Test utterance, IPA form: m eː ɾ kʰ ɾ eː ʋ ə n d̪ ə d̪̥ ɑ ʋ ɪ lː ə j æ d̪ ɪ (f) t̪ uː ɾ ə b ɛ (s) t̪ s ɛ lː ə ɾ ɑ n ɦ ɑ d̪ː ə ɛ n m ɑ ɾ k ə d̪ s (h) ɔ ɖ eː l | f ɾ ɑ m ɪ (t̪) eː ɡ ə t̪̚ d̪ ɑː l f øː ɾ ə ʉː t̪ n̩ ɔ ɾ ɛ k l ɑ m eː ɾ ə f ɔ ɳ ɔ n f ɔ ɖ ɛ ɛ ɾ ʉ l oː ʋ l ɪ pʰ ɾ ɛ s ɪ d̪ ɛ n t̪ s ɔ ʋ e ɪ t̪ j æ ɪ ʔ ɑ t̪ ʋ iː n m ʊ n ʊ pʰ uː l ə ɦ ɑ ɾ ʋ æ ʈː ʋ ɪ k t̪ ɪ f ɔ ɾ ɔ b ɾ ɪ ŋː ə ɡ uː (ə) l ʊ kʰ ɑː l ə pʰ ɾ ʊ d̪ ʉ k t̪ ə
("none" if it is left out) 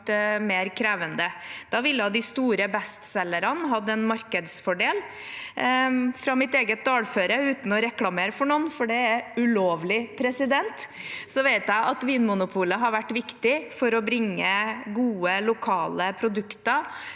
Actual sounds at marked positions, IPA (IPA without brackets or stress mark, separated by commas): s, s, f, t̪, ə